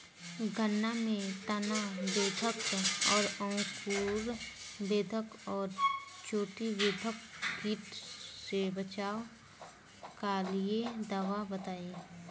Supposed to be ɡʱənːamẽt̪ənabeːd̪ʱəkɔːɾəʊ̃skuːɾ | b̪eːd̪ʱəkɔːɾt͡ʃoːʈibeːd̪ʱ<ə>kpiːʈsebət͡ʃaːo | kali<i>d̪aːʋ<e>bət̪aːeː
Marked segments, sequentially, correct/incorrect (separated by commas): correct, incorrect, incorrect